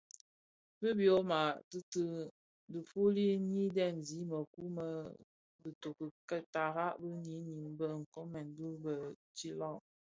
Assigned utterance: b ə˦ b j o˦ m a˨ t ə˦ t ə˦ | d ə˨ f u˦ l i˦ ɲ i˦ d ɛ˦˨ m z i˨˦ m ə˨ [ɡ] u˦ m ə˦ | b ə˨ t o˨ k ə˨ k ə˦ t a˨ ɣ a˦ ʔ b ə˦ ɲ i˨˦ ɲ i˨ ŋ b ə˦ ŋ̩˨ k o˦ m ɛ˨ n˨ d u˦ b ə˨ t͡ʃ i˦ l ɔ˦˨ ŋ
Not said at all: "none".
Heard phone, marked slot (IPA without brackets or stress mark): k